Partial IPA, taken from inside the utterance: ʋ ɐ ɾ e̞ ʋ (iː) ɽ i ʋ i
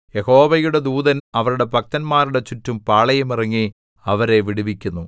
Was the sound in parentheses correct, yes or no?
no